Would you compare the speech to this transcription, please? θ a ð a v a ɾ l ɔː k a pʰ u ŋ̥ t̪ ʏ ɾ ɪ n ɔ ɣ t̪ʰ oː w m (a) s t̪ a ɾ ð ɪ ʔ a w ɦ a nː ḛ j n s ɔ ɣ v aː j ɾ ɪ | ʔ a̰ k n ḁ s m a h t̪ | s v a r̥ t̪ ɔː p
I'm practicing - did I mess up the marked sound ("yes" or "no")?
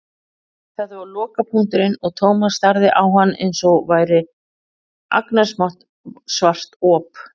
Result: no